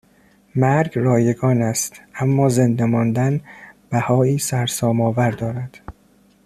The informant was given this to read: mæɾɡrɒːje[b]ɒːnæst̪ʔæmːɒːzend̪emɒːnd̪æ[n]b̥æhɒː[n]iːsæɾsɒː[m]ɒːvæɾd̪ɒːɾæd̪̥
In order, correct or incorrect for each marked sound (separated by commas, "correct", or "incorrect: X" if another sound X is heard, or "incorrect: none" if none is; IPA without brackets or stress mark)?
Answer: incorrect: ɡ, correct, incorrect: none, correct